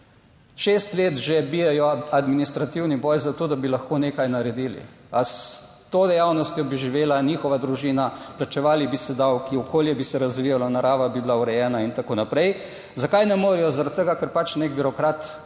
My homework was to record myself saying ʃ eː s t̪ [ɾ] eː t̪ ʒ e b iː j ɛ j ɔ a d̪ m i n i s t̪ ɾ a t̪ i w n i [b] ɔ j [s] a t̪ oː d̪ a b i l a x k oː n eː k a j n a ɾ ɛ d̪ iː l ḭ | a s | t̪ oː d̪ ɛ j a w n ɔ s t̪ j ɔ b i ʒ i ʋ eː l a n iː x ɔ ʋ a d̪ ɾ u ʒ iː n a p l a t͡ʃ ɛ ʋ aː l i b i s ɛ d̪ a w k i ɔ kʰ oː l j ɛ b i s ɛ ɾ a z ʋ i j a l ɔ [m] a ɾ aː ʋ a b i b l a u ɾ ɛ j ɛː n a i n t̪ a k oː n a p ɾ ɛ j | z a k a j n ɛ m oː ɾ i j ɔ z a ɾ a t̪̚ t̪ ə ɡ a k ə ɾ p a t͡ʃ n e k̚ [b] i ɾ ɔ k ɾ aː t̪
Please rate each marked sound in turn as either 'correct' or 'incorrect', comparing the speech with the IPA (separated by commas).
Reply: incorrect, correct, incorrect, incorrect, correct